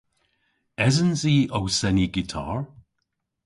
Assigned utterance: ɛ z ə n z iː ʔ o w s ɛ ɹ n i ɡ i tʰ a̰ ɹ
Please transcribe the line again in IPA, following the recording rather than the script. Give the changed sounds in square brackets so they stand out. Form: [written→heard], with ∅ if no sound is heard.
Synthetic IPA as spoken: ɛ z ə n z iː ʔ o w s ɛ [ɹ→∅] n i ɡ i tʰ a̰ ɹ